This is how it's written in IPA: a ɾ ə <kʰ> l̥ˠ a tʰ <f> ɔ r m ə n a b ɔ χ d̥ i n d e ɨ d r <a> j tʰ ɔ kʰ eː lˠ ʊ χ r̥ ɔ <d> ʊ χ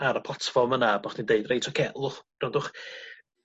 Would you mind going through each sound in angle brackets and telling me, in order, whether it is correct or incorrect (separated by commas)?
incorrect, correct, incorrect, correct